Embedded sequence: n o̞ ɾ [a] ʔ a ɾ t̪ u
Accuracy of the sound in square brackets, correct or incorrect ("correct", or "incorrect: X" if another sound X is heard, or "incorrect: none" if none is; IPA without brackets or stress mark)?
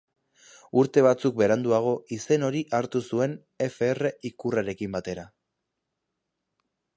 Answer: incorrect: i